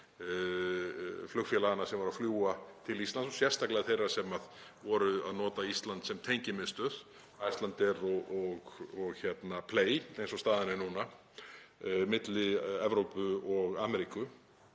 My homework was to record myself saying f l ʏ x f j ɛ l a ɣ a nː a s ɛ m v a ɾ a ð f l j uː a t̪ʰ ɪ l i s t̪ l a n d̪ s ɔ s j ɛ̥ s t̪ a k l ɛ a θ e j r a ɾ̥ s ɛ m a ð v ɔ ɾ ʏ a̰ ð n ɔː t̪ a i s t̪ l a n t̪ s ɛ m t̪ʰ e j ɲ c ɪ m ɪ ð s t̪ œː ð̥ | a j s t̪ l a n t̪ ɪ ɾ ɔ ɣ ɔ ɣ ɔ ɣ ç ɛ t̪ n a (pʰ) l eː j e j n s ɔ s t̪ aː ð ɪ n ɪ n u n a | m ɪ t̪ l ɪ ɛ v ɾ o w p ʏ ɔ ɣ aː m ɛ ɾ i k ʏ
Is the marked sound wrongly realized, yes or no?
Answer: no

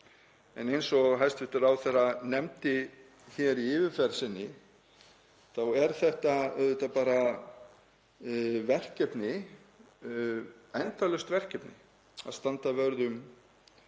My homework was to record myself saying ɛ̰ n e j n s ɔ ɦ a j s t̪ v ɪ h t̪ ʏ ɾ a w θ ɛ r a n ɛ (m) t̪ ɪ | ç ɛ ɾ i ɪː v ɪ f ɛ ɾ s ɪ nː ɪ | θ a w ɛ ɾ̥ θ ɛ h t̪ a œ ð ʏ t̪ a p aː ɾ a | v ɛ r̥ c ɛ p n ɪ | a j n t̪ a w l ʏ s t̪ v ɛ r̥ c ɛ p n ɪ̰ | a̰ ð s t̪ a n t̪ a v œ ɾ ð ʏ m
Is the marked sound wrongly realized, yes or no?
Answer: no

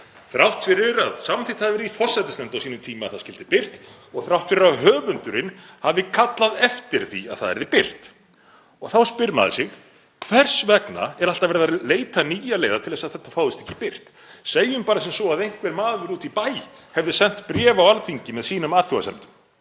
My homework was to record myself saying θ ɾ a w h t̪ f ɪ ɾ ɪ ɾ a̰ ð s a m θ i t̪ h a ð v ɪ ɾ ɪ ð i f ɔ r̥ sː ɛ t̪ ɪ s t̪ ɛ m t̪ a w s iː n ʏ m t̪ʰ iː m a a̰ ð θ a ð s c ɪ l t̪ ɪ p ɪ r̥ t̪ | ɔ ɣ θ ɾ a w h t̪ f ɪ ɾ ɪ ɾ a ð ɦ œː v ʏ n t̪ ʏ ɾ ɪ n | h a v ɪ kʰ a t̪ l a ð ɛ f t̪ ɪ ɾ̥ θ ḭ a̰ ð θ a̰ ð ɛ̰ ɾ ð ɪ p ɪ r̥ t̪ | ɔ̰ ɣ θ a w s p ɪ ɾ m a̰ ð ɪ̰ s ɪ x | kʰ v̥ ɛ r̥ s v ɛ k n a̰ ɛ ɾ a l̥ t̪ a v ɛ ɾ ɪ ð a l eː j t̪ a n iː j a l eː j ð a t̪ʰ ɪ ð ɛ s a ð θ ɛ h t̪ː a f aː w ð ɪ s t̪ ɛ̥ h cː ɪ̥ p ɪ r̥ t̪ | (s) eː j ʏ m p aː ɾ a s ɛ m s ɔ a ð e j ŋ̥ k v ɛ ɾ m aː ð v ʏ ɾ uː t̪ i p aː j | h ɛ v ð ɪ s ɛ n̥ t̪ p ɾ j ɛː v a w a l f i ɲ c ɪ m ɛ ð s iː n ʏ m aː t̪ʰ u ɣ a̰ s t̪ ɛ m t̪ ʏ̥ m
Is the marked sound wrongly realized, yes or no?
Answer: no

